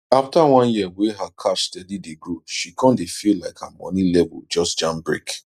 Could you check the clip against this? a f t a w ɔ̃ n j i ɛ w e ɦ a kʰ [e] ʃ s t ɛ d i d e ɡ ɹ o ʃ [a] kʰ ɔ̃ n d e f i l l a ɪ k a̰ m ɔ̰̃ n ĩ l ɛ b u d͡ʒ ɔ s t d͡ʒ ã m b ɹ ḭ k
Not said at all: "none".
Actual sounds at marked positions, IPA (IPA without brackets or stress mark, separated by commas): a, i